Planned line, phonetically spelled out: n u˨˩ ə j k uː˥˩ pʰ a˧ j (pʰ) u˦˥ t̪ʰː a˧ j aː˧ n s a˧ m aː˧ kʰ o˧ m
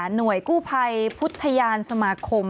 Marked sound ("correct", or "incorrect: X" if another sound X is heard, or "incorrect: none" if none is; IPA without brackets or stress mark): correct